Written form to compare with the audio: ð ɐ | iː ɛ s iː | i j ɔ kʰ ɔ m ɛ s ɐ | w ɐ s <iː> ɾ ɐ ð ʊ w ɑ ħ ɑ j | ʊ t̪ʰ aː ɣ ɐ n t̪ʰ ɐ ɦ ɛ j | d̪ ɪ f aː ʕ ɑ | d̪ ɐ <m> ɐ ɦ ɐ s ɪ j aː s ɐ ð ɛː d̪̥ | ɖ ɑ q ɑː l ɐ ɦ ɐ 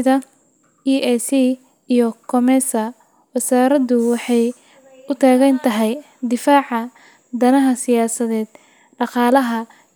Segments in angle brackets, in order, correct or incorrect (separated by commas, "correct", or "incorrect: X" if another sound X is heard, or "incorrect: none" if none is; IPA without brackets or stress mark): incorrect: aː, incorrect: n